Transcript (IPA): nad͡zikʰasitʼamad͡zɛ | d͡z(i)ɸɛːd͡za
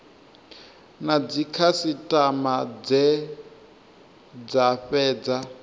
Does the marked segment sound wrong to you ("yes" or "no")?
yes